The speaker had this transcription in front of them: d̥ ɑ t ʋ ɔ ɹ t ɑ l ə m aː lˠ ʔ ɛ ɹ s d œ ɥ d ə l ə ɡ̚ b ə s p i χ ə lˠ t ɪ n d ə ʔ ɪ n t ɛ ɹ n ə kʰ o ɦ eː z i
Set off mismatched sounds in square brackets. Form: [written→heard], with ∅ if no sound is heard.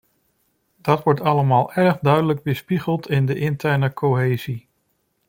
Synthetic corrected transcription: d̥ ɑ t ʋ ɔ ɹ t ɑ l ə m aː lˠ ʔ ɛ ɹ [s→χ] d œ ɥ d ə l ə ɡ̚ b ə s p i χ ə lˠ t ɪ n d ə ʔ ɪ n t ɛ ɹ n ə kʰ o ɦ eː z i